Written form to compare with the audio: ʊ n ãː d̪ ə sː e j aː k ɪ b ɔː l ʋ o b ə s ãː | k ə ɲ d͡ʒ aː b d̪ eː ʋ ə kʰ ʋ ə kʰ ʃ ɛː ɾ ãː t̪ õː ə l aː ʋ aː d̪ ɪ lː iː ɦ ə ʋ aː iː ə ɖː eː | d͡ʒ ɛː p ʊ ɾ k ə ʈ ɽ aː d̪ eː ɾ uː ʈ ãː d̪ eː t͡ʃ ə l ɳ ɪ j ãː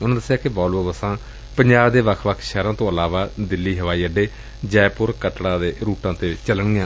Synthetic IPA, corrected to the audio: ʊ n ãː d̪ ə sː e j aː k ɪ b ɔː l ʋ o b ə s ãː | p ə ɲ d͡ʒ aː b d̪ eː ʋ ə kʰ ʋ ə kʰ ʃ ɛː ɾ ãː t̪ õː ə l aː ʋ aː d̪ ɪ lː iː ɦ ə ʋ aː iː ə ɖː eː | d͡ʒ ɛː p ʊ ɾ k ə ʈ ɽ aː d̪ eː ɾ uː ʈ ãː t̪ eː t͡ʃ ə l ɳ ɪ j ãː